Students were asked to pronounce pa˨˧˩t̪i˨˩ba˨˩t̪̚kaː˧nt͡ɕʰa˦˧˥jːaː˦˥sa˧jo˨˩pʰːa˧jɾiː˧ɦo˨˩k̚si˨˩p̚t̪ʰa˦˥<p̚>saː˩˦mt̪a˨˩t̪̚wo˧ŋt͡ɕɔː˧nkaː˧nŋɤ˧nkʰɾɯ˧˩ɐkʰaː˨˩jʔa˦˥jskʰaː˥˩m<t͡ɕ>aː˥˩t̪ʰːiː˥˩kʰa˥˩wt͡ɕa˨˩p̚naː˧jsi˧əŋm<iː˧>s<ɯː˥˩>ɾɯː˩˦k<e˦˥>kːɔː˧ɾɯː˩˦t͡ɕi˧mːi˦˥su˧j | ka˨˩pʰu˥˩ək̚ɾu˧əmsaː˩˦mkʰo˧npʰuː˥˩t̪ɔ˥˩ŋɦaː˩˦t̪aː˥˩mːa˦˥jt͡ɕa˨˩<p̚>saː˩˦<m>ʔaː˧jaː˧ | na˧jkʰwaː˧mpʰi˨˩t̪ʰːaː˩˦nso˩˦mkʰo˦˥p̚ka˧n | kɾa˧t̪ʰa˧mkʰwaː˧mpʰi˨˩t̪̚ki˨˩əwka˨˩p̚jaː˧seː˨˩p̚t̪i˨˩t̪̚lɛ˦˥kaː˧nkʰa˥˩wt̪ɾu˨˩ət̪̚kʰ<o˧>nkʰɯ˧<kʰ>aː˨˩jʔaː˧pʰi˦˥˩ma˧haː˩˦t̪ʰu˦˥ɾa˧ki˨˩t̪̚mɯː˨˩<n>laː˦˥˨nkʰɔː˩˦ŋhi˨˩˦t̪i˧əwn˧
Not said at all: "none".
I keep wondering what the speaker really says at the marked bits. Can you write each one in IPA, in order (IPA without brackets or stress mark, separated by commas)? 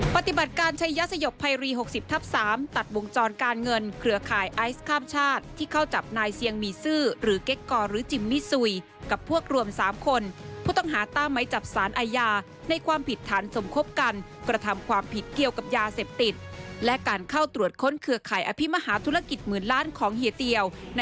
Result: p̚, t͡ɕʰ, iː˧, ɯː˥˩, e˦˥, p̚, n, o˦˥, kʰ, n